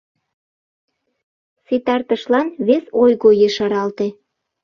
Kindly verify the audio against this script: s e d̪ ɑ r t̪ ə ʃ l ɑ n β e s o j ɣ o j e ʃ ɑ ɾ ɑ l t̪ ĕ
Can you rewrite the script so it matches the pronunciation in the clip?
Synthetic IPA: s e t̪ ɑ r t̪ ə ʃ l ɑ n β e s o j ɣ o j e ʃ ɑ ɾ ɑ l t̪ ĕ